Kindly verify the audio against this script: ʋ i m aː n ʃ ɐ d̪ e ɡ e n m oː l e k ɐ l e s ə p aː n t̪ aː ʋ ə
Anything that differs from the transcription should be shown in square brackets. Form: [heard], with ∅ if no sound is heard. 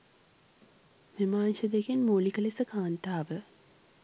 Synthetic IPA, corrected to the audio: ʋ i m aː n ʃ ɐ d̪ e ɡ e n m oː l [i] k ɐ l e s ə [k] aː n t̪ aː ʋ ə